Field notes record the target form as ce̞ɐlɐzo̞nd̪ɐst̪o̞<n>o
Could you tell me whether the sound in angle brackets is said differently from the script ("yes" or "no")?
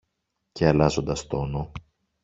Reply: no